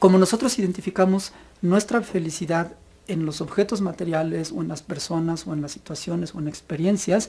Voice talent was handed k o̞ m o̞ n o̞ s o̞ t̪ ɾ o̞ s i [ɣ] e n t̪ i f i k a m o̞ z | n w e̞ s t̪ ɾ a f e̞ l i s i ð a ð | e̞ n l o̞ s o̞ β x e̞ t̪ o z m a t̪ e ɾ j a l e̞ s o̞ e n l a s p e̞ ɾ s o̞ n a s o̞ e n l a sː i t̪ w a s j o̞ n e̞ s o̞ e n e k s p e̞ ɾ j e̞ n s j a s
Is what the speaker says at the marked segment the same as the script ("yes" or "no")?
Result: no